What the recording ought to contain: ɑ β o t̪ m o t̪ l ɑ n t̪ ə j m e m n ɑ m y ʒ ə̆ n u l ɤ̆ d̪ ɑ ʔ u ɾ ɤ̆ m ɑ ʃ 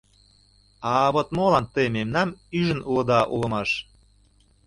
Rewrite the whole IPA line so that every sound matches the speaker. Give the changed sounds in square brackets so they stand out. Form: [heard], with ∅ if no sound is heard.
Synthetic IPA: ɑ β o t̪ m o [∅] l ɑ n t̪ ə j m e m n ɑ m y ʒ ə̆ n u l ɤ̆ d̪ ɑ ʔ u [l] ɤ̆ m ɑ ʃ